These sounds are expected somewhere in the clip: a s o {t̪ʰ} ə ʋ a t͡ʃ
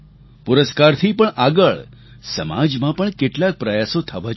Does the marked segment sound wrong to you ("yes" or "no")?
no